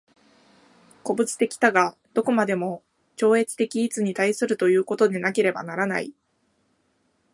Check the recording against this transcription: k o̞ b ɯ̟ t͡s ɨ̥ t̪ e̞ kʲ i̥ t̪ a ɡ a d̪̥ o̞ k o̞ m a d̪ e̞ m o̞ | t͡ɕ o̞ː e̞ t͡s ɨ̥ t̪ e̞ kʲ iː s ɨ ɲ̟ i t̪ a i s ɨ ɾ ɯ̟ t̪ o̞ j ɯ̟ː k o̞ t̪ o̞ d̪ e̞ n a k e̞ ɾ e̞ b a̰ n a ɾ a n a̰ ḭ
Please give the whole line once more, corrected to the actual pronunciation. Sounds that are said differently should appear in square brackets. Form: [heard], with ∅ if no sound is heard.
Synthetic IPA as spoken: k o̞ b ɯ̟ t͡s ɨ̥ t̪ e̞ kʲ i̥ t̪ a ɡ a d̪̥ o̞ k o̞ m a d̪ e̞ m o̞ | t͡ɕ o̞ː e̞ t͡s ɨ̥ t̪ e̞ kʲ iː [t͡s] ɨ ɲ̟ i t̪ a i s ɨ ɾ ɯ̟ t̪ o̞ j ɯ̟ː k o̞ t̪ o̞ d̪ e̞ n a k e̞ ɾ e̞ b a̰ n a ɾ a n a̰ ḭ